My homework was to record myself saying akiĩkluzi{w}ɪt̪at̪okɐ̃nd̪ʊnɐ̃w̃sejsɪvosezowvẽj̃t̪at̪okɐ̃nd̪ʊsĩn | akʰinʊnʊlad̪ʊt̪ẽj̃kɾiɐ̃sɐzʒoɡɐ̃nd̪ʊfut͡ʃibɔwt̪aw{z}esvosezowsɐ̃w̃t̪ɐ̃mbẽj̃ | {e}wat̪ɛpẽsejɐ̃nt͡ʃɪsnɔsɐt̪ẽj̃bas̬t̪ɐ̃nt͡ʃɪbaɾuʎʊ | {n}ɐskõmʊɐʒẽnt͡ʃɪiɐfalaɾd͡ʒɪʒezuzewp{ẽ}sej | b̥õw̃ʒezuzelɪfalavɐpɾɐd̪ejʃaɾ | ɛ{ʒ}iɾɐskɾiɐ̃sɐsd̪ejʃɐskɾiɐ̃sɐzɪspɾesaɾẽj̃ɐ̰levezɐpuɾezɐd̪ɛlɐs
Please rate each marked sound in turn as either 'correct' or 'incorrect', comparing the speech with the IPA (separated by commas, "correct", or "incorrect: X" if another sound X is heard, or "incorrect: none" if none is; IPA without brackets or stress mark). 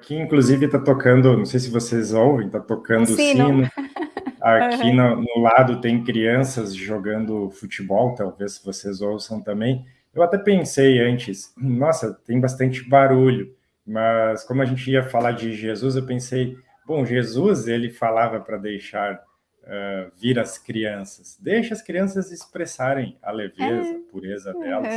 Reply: incorrect: v, incorrect: v, correct, incorrect: m, correct, incorrect: v